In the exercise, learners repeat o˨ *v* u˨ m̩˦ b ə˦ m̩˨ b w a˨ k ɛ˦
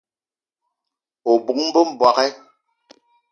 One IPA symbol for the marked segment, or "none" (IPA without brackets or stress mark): b